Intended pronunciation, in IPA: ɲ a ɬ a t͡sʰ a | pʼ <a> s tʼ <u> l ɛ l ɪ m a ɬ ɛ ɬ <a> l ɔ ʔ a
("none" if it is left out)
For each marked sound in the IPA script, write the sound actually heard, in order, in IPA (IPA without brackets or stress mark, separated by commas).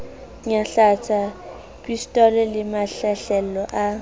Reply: i, ɔ, ɛ